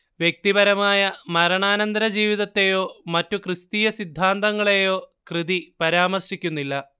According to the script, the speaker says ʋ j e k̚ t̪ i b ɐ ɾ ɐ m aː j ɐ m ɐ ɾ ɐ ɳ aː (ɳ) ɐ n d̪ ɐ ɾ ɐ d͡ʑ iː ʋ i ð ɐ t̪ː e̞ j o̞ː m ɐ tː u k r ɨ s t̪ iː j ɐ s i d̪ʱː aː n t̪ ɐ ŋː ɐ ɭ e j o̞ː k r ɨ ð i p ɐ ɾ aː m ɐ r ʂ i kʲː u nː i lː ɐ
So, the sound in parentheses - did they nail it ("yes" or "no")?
no